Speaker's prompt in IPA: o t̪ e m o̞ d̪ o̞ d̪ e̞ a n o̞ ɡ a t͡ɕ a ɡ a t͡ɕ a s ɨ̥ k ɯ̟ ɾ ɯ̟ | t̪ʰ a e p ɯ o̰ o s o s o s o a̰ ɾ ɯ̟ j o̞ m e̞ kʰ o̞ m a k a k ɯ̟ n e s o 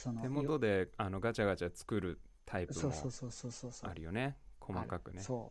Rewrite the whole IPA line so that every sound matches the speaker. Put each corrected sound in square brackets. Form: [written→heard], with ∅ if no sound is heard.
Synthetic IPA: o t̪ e m o̞ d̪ o̞ d̪ e̞ a n o̞ ɡ a t͡ɕ a ɡ a t͡ɕ a [s→t͡s] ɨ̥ k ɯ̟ ɾ ɯ̟ | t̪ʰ a [e→i] p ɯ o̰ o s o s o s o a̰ ɾ ɯ̟ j o̞ [m→n] e̞ kʰ o̞ m a k a k ɯ̟ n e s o